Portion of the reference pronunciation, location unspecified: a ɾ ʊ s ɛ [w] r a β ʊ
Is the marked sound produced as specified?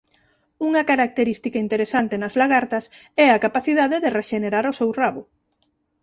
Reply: yes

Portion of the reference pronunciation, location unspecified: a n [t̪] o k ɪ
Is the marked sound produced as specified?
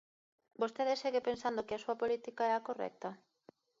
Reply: no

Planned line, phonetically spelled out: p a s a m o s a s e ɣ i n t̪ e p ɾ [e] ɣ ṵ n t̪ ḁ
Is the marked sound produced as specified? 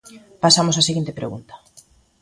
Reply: yes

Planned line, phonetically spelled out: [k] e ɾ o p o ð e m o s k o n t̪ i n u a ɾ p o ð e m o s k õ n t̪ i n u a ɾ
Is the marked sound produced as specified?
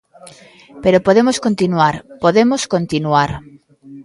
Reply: no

